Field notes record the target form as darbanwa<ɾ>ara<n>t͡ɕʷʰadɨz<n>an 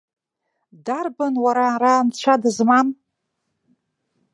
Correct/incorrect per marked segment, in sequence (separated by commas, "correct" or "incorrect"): correct, correct, incorrect